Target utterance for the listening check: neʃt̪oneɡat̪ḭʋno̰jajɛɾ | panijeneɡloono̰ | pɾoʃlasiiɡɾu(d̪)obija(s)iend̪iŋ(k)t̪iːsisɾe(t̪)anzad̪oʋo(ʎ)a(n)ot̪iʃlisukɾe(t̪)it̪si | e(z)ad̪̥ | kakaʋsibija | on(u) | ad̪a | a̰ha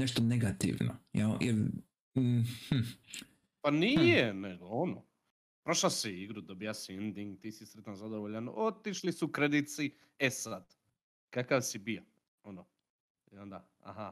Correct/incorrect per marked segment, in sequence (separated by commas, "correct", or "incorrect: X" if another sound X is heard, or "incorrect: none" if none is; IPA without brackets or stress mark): correct, correct, incorrect: ɡ, correct, correct, correct, incorrect: d̪, incorrect: s, incorrect: o